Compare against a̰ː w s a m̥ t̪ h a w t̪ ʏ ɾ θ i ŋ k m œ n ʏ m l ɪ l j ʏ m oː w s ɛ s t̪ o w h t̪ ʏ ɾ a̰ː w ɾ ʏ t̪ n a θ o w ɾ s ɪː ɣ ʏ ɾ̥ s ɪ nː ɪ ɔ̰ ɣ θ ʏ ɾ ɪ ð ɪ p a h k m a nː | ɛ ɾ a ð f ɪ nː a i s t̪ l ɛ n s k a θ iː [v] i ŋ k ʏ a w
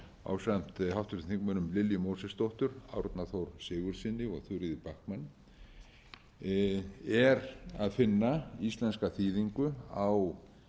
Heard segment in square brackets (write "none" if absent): ð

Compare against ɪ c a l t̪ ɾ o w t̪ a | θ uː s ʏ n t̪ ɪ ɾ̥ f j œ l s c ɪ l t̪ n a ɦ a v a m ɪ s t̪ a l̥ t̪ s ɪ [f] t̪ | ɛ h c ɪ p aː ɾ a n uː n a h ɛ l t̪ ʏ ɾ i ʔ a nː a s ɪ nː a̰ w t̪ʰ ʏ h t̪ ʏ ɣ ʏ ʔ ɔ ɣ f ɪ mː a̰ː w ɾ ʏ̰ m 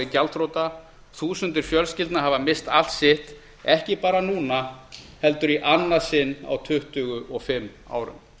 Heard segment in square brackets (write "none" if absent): h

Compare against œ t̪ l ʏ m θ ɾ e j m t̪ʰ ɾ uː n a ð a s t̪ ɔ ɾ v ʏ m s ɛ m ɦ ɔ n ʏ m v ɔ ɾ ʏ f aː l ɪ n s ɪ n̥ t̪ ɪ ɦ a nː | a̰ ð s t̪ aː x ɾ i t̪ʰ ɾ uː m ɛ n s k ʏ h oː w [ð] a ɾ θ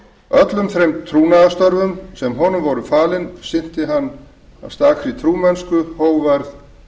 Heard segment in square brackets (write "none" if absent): v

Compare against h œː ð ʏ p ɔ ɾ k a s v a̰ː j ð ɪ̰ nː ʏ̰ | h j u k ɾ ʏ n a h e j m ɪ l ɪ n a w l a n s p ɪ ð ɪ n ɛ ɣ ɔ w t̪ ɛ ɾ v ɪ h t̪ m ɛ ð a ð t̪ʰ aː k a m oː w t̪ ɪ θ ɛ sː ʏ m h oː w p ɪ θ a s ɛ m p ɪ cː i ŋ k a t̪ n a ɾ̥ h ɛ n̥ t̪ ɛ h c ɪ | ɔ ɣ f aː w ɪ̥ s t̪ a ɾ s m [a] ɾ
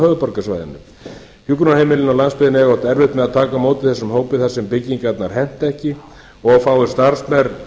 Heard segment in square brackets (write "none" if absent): ɛ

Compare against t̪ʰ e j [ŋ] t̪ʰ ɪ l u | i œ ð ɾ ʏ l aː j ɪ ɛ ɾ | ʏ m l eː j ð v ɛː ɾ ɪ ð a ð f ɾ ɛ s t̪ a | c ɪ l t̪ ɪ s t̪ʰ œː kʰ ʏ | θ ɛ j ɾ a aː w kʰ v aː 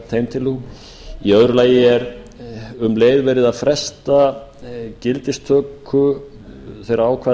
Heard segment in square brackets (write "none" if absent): m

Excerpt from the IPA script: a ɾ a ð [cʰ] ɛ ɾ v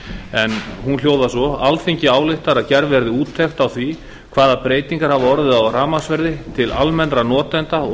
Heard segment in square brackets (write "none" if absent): c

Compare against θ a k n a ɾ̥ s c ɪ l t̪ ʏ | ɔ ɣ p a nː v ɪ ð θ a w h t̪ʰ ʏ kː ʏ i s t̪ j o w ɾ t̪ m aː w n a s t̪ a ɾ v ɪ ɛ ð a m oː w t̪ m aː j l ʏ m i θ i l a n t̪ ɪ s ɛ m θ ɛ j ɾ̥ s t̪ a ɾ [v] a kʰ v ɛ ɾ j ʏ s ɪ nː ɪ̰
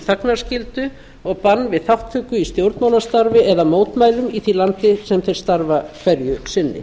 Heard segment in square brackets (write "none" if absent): v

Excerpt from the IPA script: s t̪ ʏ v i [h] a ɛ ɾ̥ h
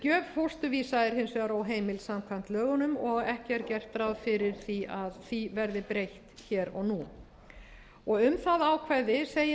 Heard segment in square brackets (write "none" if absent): s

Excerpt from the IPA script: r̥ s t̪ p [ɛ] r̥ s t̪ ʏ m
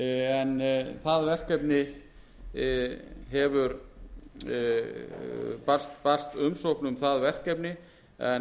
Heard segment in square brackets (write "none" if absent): a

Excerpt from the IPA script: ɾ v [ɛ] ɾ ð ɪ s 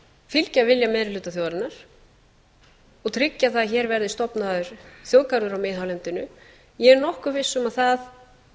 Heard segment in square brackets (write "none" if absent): ɛ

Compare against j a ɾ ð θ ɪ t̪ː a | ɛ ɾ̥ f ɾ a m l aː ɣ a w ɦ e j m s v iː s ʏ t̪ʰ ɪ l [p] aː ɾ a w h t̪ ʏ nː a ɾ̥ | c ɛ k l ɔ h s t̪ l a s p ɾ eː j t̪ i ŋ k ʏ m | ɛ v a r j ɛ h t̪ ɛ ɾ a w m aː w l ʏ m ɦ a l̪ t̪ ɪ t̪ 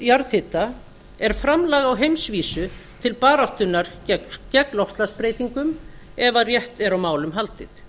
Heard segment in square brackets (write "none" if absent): p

